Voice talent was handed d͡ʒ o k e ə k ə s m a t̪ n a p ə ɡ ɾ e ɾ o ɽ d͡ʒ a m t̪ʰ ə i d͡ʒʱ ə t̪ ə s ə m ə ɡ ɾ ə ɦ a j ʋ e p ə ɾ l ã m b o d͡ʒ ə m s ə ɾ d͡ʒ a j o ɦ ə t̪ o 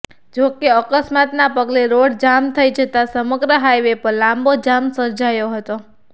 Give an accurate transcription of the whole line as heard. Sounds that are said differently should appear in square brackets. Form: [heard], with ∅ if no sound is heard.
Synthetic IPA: d͡ʒ o k e ə k ə s m a t̪ n a p ə ɡ [l] e ɾ o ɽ d͡ʒ a m t̪ʰ ə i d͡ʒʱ ə t̪ [a] s ə m ə ɡ ɾ ə ɦ a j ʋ e p ə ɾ l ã m b o d͡ʒ [a] m s ə ɾ d͡ʒ a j o ɦ ə t̪ o